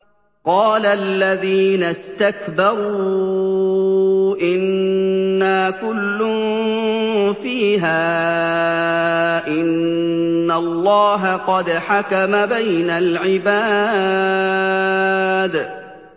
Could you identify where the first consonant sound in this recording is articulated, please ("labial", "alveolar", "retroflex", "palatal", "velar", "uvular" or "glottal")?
uvular